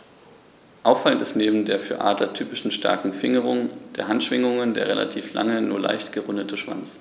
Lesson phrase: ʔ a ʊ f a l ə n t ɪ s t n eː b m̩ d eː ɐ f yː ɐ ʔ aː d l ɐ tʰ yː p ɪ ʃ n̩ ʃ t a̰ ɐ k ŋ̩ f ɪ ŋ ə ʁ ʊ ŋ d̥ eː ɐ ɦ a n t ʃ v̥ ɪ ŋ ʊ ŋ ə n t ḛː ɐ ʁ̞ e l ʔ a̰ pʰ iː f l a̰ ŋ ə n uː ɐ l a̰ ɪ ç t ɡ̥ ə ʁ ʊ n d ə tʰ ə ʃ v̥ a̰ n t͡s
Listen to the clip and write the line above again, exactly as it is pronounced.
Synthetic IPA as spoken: ʔ a ʊ f a l ə n t ɪ s t n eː b m̩ d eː ɐ f yː ɐ ʔ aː d l ɐ tʰ yː p ɪ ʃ n̩ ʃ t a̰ ɐ k ŋ̩ f ɪ ŋ ə ʁ ʊ ŋ d̥ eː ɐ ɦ a n t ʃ v̥ ɪ ŋ ʊ ŋ ə n d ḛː ɐ ʁ̞ e l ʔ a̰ tʰ iː f l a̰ ŋ ə n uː ɐ l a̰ ɪ ç t ɡ̥ ə ʁ ʊ n d ə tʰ ə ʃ v̥ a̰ n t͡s